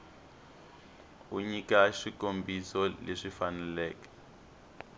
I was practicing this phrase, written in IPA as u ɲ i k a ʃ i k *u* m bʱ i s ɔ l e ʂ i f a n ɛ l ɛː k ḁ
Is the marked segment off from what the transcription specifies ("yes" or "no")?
yes